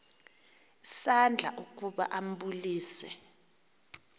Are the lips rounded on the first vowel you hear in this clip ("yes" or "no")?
no